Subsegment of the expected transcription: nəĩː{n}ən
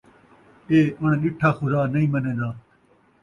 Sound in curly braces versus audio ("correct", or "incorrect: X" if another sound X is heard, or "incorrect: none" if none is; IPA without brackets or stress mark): incorrect: m